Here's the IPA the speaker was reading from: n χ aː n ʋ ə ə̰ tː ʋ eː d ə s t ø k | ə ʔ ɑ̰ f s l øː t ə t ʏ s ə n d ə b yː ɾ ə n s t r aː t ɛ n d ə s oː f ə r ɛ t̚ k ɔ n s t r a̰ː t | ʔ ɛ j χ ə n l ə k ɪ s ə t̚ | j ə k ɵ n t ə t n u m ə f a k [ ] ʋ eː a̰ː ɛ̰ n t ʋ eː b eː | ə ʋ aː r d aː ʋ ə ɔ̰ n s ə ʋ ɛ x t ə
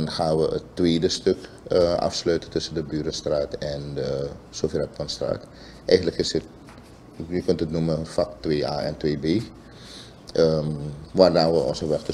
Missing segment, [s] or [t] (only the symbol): t